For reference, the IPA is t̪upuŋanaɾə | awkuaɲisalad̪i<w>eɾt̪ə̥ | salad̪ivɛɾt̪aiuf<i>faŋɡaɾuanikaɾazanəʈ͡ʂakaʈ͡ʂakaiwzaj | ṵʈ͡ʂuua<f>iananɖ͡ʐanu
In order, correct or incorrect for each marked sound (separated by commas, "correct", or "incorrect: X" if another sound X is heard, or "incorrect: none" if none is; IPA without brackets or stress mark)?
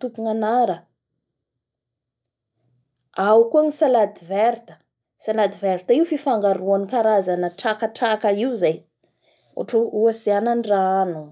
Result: incorrect: v, correct, incorrect: s